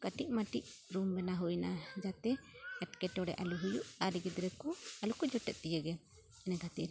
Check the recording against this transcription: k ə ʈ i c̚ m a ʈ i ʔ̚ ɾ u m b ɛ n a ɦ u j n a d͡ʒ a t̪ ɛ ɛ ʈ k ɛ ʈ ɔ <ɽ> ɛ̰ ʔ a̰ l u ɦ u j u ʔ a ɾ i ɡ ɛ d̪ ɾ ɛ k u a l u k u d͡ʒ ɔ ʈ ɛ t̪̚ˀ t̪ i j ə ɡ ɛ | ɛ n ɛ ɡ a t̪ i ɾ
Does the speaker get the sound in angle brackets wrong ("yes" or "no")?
no